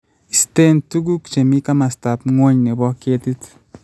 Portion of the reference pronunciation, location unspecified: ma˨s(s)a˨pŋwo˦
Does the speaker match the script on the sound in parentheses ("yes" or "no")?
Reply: no